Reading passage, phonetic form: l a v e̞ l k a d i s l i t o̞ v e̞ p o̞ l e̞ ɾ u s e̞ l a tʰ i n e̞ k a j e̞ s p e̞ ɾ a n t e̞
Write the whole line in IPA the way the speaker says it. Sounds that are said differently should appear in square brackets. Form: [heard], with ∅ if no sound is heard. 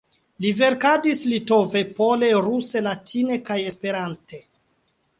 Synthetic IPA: l [i] v e̞ [ɾ] k a d i s l i t o̞ v e̞ p o̞ l e̞ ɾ u s e̞ l a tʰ i n e̞ k a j e̞ s p e̞ ɾ a n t e̞